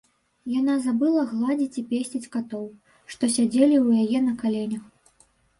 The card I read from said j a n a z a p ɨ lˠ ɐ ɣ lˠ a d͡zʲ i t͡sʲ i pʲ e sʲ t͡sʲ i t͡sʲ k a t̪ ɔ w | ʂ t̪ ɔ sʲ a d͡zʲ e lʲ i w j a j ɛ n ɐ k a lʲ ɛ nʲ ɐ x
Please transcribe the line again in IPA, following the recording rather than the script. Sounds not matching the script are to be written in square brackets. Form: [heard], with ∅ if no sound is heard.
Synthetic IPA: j a n a z a [b] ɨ lˠ ɐ ɣ lˠ a d͡zʲ i t͡sʲ i pʲ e sʲ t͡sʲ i t͡sʲ k a t̪ ɔ w | ʂ t̪ ɔ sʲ a d͡zʲ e lʲ i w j a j ɛ n ɐ k a lʲ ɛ nʲ ɐ x